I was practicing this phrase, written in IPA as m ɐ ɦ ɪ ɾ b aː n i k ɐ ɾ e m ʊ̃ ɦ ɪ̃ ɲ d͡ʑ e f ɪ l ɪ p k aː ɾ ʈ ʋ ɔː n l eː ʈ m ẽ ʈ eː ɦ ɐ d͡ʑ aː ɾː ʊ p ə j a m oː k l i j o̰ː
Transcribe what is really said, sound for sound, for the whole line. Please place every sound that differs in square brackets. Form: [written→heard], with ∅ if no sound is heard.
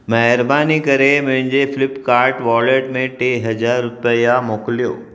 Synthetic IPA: m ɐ ɦ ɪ ɾ b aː n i k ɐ ɾ e m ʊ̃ ɦ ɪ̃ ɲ d͡ʑ e f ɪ l ɪ p k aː ɾ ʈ ʋ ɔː [n→∅] l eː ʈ m ẽ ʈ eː ɦ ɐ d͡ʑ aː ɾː ʊ p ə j a m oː k l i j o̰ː